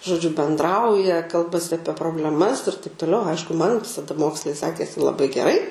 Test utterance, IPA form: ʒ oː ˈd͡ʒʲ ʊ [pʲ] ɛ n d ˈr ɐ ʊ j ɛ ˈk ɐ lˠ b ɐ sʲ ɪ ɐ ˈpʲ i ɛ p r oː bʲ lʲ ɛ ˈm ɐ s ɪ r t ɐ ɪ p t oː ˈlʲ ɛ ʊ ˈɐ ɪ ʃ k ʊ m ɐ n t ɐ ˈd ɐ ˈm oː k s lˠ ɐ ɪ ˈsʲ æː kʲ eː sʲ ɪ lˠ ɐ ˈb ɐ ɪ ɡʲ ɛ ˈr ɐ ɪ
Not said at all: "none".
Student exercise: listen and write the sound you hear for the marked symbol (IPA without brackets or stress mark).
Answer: bʲ